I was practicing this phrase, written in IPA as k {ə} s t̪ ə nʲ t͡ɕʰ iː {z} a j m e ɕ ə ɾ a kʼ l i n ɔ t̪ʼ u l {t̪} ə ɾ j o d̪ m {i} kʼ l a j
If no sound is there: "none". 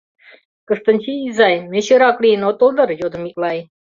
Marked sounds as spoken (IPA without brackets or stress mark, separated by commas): ə, z, d̪, i